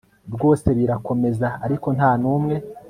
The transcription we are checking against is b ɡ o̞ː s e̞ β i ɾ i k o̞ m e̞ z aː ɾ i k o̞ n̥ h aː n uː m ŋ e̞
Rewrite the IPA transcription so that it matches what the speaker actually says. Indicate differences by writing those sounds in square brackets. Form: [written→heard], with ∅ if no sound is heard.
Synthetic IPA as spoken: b ɡ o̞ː s e̞ β i ɾ [i→a] k o̞ m e̞ z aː ɾ i k o̞ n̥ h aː n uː m ŋ e̞